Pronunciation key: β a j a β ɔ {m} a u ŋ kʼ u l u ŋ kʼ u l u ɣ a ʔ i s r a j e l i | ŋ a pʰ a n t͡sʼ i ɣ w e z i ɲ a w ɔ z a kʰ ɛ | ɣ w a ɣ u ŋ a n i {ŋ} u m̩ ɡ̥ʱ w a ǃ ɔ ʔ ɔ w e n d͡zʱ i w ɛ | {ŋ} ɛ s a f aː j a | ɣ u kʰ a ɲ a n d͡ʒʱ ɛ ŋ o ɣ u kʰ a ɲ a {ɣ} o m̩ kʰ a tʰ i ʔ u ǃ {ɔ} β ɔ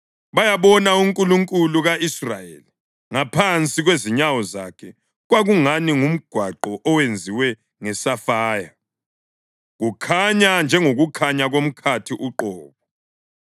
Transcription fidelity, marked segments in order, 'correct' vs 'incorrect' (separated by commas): incorrect, correct, correct, correct, incorrect